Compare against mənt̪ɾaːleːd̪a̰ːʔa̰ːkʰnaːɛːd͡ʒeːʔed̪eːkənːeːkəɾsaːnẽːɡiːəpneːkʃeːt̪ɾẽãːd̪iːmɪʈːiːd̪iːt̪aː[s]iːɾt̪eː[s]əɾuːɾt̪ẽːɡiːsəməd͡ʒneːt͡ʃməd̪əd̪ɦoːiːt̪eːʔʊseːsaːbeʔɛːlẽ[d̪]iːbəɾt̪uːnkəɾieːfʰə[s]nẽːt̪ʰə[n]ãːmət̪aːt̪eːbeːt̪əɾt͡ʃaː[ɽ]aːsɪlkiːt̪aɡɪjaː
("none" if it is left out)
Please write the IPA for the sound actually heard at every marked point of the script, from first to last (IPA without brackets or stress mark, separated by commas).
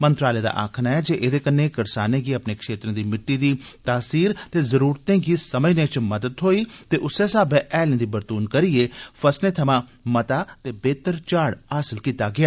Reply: s, z, d̪, s, m, ɽ